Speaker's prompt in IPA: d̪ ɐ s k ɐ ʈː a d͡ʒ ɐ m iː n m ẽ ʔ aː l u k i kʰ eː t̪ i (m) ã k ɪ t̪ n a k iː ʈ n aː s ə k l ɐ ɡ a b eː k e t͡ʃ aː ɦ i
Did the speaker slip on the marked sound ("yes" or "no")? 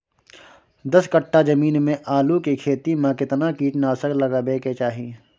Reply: no